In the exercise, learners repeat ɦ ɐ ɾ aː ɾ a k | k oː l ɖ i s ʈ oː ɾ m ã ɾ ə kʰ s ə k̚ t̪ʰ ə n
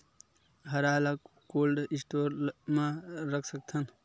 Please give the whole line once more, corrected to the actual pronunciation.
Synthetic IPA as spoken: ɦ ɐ ɾ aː l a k | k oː l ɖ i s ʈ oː ɾ m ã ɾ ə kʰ s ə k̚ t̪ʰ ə n